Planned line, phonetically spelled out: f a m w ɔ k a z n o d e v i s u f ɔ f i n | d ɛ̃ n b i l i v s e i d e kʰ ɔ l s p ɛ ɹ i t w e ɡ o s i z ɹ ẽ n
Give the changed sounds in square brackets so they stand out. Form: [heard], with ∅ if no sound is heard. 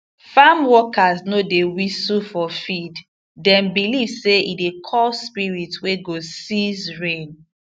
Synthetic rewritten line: f a m w ɔ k a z n o d e [w] i s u f ɔ f i [d] | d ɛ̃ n b i l i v s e i d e kʰ ɔ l s p [i] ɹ i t w e ɡ o s i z ɹ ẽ n